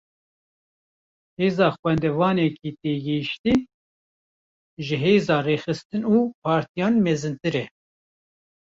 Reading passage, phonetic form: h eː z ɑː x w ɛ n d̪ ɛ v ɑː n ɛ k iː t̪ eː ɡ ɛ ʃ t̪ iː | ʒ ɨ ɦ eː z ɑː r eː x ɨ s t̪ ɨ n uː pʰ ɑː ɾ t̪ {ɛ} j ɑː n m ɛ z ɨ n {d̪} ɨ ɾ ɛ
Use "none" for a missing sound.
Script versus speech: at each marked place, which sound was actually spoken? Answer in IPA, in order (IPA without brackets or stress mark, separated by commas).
i, t̪